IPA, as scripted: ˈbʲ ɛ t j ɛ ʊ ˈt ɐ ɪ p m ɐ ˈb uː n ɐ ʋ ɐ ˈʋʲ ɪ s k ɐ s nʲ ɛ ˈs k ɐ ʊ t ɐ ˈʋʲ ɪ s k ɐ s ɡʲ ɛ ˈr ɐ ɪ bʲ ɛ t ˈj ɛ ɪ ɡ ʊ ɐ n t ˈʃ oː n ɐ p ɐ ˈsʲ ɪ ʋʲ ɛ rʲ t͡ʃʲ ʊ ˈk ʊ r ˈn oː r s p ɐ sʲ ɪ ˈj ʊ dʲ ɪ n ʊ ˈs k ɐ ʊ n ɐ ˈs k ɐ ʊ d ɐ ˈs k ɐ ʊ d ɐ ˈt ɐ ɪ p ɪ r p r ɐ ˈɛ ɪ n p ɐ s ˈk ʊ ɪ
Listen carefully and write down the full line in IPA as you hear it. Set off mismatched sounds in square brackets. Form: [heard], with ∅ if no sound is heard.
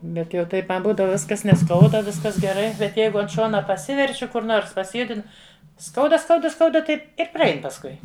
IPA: ˈbʲ ɛ t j ɛ ʊ ˈt ɐ ɪ p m ɐ ˈb uː [d] ɐ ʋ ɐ ˈʋʲ ɪ s k ɐ s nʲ ɛ ˈs k ɐ ʊ [d] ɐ ˈʋʲ ɪ s k ɐ s ɡʲ ɛ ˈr ɐ ɪ bʲ ɛ t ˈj ɛ ɪ ɡ ʊ ɐ n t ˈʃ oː n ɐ p ɐ ˈsʲ ɪ ʋʲ ɛ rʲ t͡ʃʲ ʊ ˈk ʊ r ˈn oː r s p ɐ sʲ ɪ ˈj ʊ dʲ ɪ n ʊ ˈs k ɐ ʊ [d] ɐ ˈs k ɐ ʊ d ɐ ˈs k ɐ ʊ d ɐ ˈt ɐ ɪ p ɪ r p r ɐ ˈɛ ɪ n p ɐ s ˈk ʊ ɪ